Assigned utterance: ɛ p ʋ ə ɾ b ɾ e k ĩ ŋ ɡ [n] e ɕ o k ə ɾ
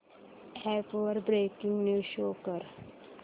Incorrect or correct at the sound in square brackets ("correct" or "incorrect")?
correct